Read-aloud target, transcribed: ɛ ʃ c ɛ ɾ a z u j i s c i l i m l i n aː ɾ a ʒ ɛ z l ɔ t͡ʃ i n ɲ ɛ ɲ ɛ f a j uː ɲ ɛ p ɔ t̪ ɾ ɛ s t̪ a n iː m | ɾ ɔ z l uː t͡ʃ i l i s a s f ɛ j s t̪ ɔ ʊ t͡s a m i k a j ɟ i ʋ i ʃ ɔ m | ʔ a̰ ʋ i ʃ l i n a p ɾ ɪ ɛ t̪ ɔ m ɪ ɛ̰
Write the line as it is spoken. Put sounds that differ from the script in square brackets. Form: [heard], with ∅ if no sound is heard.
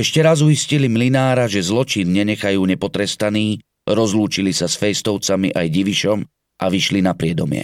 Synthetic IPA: ɛ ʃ c ɛ ɾ a z u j i s c i l i m l i n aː ɾ a ʒ ɛ z l ɔ t͡ʃ i n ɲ ɛ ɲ ɛ [x] a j uː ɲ ɛ p ɔ t̪ ɾ ɛ s t̪ a n iː [∅] | ɾ ɔ z l uː t͡ʃ i l i s a s f ɛ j s t̪ ɔ ʊ t͡s a m i [ʔ] a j ɟ i ʋ i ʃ ɔ m | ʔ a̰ ʋ i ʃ l i n a p ɾ ɪ ɛ [d̪] ɔ m ɪ ɛ̰